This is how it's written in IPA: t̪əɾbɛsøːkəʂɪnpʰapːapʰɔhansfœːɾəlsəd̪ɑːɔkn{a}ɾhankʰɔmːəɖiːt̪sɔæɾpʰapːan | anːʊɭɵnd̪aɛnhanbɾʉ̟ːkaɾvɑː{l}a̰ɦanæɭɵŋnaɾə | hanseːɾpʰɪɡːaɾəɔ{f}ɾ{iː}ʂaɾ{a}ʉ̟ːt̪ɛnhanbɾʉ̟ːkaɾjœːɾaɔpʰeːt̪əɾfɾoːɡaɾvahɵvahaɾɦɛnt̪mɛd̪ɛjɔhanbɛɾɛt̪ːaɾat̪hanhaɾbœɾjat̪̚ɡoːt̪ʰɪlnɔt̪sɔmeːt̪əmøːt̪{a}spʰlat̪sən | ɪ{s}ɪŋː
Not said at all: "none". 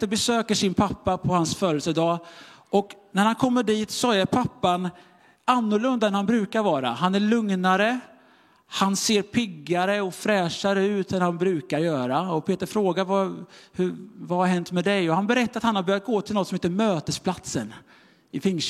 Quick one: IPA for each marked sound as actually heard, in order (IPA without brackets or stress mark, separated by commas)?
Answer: æ, ɾ, f, ɛː, ə, ə, f